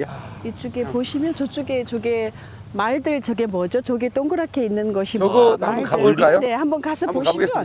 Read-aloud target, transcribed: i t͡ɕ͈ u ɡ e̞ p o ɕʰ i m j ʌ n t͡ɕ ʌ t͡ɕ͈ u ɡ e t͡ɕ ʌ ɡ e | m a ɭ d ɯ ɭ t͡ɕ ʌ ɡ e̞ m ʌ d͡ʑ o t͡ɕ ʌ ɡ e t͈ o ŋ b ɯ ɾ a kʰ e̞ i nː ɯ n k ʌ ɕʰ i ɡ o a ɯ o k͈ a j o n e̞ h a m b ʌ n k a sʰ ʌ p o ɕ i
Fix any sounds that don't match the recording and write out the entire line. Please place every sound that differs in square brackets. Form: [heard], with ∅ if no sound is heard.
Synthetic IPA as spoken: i t͡ɕ͈ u ɡ e̞ p o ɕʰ i m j ʌ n t͡ɕ ʌ t͡ɕ͈ u ɡ e t͡ɕ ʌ ɡ e | m a ɭ d ɯ ɭ t͡ɕ ʌ ɡ e̞ m ʌ d͡ʑ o t͡ɕ ʌ ɡ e t͈ o ŋ [ɡ] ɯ ɾ a kʰ e̞ i nː ɯ n [ɡ] ʌ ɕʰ i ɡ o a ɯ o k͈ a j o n e̞ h a m b ʌ n k a sʰ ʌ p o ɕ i